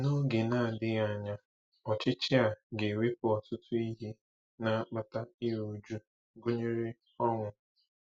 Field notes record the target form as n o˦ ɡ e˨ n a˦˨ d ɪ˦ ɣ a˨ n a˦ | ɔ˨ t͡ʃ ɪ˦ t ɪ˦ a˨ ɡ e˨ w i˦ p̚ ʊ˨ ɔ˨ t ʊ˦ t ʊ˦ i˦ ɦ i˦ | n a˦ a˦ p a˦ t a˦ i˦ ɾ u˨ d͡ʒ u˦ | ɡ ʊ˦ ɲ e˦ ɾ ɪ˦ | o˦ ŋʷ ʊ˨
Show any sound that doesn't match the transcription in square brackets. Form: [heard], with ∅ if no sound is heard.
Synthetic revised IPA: n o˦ ɡ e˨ n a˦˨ d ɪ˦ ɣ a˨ [ɲ] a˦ | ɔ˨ t͡ʃ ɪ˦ [t͡ʃ] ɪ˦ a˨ ɡ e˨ w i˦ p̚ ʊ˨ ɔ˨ t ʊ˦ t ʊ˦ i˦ ɦ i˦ | n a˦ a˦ [k͡p] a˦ t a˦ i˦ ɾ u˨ d͡ʒ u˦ | ɡ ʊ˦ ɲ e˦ ɾ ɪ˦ | [ɔ˦] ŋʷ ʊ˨

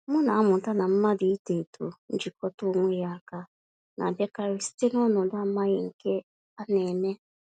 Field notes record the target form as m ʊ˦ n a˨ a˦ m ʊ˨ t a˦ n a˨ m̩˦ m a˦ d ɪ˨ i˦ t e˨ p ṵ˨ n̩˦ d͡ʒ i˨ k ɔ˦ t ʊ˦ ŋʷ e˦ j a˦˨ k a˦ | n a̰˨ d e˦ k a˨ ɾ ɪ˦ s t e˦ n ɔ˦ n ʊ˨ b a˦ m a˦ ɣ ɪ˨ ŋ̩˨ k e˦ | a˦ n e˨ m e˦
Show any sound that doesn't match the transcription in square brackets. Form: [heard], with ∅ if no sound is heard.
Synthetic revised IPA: m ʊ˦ n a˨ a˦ m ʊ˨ t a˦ n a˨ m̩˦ m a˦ d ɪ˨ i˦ t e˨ [t] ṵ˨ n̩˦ d͡ʒ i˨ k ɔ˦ t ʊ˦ ŋʷ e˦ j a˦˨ k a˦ | n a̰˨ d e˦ k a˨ ɾ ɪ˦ s t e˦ n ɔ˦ n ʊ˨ [d] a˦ m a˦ ɣ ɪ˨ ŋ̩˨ k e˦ | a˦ n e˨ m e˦

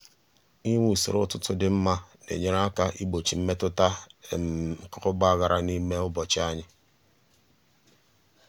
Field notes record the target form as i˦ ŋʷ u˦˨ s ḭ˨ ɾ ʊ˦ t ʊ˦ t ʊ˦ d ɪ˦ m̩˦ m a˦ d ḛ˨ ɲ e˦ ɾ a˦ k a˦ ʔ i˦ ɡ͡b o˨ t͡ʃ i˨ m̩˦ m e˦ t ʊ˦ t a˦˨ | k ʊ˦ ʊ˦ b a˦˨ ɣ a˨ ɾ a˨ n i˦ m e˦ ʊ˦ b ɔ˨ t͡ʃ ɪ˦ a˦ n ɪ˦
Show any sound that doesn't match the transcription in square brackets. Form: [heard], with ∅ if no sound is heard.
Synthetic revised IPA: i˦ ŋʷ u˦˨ s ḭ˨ ɾ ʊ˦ t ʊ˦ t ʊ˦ d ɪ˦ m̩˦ m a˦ [n] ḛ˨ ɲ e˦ ɾ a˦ k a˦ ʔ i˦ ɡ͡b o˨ t͡ʃ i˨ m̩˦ m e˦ t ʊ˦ t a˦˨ | k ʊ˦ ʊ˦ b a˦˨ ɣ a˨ ɾ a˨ n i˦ m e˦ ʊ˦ b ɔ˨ t͡ʃ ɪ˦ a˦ [ɲ] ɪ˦

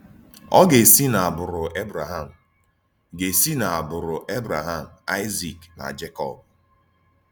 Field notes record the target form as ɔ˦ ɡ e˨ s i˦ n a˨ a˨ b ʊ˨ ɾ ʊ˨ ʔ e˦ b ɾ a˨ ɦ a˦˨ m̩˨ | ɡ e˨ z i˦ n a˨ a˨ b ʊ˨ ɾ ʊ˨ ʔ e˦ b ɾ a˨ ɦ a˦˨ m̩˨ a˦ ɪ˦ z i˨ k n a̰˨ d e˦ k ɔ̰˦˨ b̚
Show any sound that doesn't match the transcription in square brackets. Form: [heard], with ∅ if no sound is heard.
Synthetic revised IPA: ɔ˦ ɡ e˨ s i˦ n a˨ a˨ b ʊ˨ ɾ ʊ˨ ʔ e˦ b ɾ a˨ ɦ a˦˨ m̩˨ | ɡ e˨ [s] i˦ n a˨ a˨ b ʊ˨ ɾ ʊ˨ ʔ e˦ b ɾ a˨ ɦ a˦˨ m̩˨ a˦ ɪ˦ z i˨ k n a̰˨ [d͡ʒ] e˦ k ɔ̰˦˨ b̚

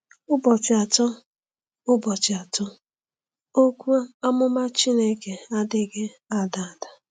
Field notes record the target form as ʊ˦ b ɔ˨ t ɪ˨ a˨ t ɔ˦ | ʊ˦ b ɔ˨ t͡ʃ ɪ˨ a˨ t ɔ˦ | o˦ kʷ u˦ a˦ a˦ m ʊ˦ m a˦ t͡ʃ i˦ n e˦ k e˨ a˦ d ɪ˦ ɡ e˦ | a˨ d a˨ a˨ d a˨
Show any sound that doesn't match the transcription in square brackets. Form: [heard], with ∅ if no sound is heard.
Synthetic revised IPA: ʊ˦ b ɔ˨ [t͡ʃ] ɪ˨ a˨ t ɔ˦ | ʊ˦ b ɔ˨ t͡ʃ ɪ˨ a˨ t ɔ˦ | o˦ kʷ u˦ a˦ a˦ m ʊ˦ m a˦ t͡ʃ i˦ n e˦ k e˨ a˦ d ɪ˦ ɡ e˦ | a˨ d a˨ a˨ d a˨

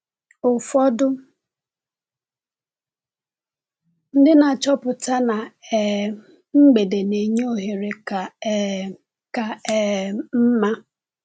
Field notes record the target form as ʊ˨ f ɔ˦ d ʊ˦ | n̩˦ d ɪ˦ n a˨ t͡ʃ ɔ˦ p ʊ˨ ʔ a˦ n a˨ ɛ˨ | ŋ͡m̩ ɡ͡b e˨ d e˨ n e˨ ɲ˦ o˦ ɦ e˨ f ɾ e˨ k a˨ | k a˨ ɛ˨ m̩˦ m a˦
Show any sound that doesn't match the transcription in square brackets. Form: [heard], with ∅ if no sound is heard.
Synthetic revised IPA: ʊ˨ f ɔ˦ d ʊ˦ | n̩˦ d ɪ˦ n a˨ t͡ʃ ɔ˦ p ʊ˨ [t] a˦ n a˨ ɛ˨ | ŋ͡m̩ ɡ͡b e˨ d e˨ n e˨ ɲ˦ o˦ ɦ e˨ [∅] ɾ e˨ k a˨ | k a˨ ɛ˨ m̩˦ m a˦

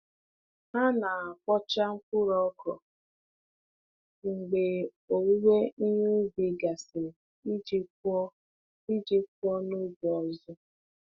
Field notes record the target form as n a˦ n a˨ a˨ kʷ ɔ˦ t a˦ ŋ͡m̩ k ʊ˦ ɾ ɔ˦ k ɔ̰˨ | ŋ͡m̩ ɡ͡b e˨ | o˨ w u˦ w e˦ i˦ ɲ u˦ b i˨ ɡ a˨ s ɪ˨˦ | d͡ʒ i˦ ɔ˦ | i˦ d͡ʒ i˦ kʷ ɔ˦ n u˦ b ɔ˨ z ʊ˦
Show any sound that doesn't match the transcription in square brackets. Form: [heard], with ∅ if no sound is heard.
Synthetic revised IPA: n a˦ n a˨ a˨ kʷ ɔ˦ [t͡ʃ] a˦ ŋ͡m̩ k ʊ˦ ɾ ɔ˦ k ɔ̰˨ | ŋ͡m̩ ɡ͡b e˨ | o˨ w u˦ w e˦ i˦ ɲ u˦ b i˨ ɡ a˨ s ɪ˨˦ | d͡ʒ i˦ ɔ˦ | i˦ d͡ʒ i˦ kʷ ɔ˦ n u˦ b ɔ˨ z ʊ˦

